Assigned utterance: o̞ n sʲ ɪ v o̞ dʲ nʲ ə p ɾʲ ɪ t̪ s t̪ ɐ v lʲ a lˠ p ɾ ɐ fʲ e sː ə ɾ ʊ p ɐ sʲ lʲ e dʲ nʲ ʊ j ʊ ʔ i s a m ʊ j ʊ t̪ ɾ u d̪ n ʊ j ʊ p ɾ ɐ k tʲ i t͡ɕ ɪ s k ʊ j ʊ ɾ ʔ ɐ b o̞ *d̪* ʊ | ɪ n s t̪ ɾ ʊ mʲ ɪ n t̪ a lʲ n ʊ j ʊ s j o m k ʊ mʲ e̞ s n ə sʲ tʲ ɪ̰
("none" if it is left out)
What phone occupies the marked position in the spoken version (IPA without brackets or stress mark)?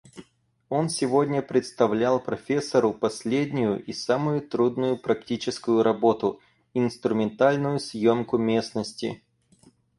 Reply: t̪